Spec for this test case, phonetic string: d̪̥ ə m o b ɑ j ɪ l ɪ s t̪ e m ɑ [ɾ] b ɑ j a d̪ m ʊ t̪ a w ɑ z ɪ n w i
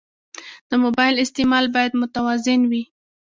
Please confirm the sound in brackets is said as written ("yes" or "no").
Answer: no